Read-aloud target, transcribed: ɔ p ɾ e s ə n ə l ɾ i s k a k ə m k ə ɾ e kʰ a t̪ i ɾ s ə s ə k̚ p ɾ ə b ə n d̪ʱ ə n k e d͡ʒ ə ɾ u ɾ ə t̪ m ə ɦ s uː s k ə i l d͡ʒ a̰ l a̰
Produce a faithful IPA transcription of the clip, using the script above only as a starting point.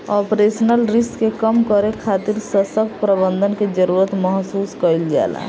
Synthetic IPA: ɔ p ɾ e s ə n ə l ɾ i s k e k ə m k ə ɾ e kʰ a t̪ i ɾ s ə s ə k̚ p ɾ ə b ə n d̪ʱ ə n k e d͡ʒ ə ɾ u ɾ ə t̪ m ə ɦ s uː s k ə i l d͡ʒ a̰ l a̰